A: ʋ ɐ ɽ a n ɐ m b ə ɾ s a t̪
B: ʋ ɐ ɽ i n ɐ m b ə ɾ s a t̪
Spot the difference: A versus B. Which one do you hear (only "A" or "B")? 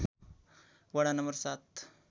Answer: A